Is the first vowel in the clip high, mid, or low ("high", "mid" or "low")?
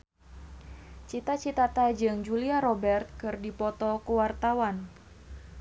high